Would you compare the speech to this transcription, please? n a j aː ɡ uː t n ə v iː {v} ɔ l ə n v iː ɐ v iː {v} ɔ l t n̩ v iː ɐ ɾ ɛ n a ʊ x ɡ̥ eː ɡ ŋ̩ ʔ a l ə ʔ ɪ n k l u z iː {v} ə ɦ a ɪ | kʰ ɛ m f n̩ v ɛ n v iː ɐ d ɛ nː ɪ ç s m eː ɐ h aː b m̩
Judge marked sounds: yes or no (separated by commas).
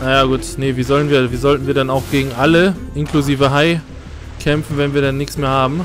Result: no, no, yes